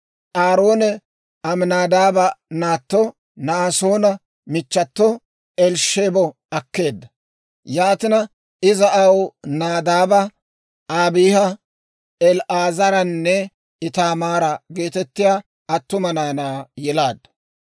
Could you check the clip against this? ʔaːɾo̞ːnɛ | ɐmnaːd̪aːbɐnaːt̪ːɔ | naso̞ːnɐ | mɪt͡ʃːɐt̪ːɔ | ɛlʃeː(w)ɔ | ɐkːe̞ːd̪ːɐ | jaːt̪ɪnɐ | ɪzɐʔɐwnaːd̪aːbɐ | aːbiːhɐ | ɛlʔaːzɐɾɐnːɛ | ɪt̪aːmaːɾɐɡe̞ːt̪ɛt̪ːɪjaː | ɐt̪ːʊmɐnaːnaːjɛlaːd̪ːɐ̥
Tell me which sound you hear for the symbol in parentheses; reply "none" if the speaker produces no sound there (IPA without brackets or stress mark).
b